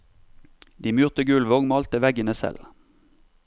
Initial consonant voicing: voiced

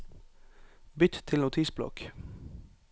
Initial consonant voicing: voiced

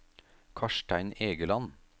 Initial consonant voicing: voiceless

